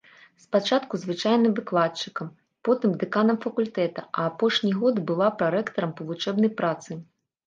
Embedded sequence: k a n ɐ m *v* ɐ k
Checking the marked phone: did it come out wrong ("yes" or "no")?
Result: yes